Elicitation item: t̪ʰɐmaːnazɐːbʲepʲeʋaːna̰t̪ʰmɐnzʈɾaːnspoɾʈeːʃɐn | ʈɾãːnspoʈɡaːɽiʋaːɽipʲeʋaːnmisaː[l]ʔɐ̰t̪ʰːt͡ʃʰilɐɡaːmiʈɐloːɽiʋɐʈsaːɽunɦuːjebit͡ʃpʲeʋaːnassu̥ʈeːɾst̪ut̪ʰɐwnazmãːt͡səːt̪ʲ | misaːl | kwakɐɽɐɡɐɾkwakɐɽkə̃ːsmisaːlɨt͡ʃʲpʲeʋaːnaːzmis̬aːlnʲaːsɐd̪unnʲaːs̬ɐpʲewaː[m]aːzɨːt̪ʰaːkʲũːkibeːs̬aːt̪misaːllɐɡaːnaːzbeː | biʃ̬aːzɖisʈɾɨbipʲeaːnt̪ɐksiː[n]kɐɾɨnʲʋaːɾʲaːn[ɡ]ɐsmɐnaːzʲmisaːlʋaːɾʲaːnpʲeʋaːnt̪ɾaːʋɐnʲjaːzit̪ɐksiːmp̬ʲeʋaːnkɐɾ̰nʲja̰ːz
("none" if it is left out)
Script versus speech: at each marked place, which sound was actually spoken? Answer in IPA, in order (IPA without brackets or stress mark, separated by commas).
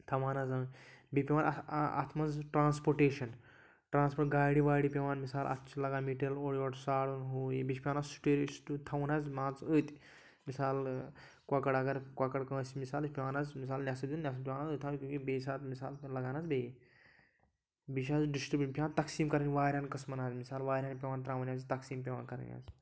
l, n, m, k